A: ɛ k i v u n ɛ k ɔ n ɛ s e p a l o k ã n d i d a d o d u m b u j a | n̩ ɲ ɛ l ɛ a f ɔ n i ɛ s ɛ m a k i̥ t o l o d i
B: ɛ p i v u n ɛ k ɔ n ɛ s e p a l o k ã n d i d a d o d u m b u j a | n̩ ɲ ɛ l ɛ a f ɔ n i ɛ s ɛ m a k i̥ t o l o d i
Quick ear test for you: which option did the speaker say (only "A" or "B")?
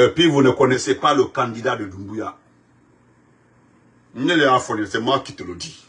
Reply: B